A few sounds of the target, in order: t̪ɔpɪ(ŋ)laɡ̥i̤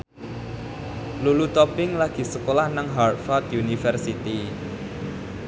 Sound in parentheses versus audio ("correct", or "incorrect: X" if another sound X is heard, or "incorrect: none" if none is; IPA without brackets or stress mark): correct